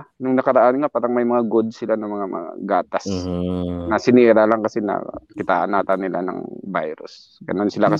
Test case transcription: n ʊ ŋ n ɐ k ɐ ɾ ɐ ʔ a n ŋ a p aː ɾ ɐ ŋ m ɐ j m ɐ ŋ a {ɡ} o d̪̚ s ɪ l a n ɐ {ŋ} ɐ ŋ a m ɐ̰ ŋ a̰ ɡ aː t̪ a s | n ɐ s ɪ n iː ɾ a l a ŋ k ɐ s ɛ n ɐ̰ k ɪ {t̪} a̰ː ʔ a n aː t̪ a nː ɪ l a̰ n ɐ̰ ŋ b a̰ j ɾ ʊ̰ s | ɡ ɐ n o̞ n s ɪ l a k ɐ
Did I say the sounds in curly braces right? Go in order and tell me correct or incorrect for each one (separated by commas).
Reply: correct, incorrect, correct